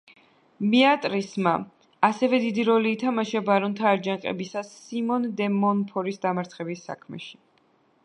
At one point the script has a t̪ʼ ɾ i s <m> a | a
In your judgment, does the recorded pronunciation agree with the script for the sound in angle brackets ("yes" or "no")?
yes